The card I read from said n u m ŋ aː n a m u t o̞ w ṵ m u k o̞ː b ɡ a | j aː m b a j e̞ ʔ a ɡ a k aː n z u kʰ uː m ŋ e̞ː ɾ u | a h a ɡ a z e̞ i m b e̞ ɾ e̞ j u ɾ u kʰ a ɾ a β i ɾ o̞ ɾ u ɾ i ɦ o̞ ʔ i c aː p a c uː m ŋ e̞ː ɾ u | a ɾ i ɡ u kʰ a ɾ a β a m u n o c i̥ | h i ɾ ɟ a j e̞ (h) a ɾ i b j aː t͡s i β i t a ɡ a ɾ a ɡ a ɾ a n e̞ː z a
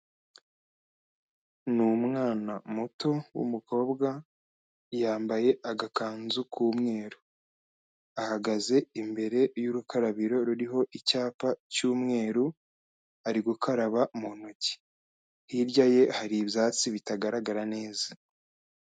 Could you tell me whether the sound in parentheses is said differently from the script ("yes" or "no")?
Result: no